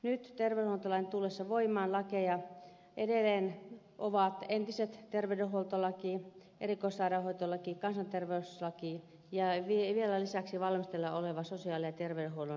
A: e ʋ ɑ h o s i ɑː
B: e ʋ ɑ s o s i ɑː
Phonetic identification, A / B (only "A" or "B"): B